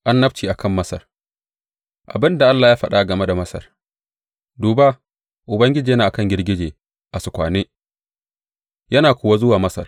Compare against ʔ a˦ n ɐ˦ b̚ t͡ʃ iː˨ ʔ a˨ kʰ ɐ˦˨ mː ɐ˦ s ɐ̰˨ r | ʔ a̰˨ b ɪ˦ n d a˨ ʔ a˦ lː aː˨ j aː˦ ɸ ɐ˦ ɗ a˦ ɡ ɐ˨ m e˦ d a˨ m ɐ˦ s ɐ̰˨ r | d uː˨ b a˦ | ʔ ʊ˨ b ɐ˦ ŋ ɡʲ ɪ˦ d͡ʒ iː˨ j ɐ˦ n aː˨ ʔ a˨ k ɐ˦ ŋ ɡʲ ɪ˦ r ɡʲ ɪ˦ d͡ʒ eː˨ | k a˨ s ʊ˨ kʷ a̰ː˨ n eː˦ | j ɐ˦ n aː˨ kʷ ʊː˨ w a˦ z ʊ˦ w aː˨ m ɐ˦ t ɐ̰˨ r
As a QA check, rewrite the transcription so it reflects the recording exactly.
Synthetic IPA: ʔ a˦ nː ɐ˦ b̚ t͡ʃ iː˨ ʔ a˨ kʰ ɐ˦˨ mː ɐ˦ s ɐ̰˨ r | ʔ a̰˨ b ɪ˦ n d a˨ ʔ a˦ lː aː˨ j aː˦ ɸ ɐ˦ ɗ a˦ ɡ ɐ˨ m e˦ d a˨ m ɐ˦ s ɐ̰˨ r | d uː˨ b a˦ | ʔ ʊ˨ b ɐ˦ ŋ ɡʲ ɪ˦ d͡ʒ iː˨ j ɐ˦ n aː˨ ʔ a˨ k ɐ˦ ŋ ɡʲ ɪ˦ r ɡʲ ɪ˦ d͡ʒ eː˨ | ʔ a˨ s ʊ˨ kʷ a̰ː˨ n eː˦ | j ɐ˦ n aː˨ kʷ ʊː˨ w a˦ z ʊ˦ w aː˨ m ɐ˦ s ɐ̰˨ r